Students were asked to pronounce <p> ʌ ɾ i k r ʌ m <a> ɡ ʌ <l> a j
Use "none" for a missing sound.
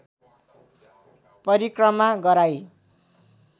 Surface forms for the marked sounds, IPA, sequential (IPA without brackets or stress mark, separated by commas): p, a, ɾ